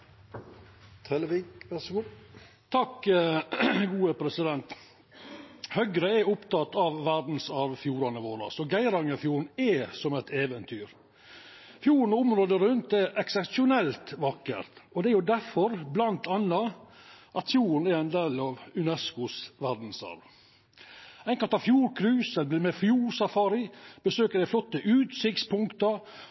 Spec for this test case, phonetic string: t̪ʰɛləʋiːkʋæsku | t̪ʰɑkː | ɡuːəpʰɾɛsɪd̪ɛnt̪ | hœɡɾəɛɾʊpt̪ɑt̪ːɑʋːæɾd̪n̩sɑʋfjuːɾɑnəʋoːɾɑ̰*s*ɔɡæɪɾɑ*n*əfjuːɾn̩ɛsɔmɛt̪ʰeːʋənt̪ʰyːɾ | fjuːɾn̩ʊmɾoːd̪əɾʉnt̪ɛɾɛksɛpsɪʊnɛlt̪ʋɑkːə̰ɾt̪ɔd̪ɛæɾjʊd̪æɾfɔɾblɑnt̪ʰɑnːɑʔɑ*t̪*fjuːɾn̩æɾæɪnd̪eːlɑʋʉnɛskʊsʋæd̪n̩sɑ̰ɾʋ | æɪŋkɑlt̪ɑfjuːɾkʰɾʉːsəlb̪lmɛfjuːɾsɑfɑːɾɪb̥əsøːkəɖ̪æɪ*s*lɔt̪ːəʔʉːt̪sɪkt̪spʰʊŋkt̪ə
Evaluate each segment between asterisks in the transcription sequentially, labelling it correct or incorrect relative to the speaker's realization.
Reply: correct, incorrect, correct, incorrect

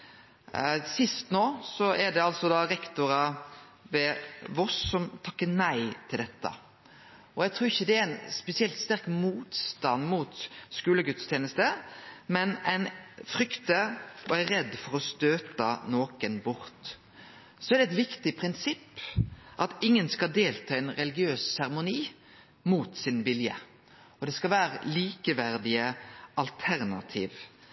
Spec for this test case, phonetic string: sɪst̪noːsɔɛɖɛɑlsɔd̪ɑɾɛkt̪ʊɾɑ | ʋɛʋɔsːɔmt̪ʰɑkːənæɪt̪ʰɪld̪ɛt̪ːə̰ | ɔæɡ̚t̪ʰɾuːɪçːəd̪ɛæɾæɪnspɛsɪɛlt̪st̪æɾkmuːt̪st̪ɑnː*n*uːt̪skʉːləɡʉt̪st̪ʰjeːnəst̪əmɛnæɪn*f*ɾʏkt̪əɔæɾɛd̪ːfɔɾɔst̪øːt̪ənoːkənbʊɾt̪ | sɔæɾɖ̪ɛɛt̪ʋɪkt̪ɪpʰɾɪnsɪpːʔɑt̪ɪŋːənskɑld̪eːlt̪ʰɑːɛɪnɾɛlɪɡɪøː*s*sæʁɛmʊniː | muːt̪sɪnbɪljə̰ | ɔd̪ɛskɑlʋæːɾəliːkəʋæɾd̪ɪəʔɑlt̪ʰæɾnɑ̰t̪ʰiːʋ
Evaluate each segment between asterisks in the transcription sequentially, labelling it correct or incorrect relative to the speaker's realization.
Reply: incorrect, correct, correct

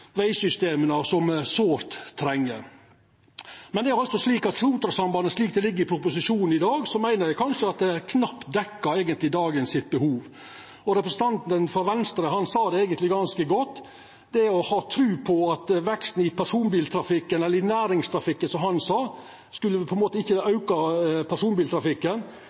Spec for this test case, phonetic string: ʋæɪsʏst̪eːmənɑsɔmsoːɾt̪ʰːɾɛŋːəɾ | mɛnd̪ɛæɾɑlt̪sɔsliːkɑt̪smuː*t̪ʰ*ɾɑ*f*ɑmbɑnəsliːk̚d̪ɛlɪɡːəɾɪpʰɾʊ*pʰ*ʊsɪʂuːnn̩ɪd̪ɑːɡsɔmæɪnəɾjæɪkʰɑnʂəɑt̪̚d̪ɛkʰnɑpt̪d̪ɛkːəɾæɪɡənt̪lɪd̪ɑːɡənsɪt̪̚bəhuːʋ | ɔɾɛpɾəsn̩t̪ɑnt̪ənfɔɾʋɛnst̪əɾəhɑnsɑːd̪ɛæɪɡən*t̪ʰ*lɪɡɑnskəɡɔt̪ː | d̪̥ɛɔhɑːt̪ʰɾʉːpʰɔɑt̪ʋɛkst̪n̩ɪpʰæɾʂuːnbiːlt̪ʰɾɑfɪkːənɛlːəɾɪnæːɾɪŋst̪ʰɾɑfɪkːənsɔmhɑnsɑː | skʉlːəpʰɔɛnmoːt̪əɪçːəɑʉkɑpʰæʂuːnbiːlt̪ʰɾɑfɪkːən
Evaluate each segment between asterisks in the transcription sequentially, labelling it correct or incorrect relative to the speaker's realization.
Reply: incorrect, incorrect, incorrect, incorrect

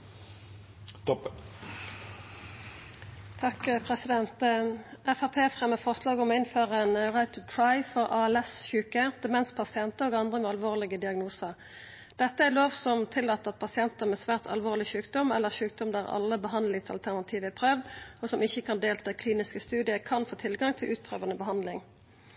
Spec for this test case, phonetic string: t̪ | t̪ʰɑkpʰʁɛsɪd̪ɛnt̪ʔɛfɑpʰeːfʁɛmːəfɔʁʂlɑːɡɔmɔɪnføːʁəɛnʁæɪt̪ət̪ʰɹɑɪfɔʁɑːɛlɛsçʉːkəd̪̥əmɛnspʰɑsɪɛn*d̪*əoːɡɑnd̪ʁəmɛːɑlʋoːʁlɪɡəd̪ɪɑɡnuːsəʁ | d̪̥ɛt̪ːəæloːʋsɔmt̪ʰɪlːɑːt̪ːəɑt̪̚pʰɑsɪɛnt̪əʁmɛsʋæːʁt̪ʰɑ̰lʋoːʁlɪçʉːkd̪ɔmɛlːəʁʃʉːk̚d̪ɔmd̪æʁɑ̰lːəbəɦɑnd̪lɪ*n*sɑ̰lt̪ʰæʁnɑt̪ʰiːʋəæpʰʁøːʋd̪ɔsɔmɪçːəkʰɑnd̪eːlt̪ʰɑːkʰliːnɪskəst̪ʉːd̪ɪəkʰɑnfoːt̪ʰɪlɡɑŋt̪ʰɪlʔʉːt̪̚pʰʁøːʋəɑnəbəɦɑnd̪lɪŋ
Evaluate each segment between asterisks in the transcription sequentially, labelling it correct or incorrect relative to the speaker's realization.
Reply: incorrect, incorrect

